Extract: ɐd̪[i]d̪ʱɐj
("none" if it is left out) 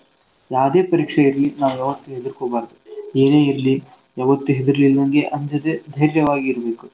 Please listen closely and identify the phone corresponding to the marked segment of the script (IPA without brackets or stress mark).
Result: e